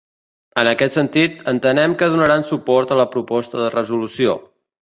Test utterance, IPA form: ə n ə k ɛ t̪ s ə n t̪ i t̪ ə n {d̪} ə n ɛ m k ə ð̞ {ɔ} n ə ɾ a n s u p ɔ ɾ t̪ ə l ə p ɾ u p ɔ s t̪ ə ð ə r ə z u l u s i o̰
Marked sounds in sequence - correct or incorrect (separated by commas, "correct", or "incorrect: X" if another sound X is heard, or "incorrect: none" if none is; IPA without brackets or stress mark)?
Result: incorrect: t̪, incorrect: u